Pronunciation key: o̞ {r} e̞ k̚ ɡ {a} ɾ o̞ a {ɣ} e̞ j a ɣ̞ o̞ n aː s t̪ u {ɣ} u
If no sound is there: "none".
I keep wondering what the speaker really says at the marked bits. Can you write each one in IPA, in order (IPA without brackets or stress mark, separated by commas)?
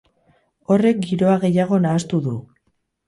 r, i, ɣ, ð